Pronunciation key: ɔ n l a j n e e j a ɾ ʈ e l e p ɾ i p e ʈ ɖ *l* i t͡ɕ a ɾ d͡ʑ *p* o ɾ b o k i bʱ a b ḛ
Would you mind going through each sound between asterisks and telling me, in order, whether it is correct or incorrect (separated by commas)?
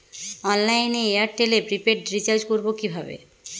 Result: incorrect, incorrect